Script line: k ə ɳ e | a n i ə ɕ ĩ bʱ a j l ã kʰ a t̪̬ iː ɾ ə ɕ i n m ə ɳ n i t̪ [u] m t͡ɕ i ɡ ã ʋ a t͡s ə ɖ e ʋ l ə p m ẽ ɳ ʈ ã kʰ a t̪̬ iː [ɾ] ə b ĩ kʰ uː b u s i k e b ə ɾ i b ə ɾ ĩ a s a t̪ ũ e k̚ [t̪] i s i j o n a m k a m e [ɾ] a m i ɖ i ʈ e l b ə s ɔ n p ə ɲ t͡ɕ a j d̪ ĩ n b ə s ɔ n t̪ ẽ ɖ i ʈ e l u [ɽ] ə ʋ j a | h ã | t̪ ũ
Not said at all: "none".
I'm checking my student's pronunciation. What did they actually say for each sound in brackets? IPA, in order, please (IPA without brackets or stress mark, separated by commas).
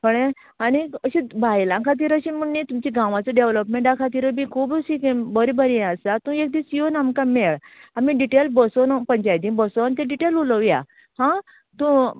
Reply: u, ɾ, d̪, ɭ, l